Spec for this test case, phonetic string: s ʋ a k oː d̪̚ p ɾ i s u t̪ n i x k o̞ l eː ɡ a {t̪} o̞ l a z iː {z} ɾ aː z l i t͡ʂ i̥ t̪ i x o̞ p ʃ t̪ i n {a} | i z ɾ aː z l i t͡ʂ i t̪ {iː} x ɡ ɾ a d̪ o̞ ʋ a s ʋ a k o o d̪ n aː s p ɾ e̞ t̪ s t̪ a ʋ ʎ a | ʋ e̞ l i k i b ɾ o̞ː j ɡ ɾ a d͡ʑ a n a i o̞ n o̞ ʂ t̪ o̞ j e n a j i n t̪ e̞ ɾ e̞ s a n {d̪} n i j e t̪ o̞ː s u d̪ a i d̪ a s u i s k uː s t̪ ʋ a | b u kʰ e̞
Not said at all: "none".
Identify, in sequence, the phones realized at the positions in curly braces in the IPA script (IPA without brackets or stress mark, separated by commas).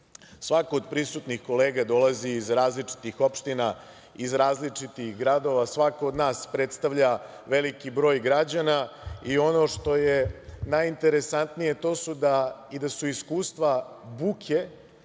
d̪, z, a, i, t̪